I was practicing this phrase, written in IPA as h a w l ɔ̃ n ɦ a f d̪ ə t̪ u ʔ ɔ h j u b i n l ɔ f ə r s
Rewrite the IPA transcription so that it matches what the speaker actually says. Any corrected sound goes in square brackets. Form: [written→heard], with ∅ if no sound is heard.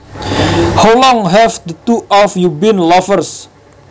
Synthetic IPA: h a w l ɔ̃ [n→ŋ] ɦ [a→ɛ] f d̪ ə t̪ u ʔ ɔ [h→f] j u b i n l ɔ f ə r s